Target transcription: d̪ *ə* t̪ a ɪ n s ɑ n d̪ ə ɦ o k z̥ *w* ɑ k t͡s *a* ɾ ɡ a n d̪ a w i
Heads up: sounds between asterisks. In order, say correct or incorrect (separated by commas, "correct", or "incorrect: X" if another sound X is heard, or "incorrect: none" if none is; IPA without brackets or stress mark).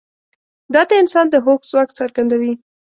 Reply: incorrect: ɑ, correct, correct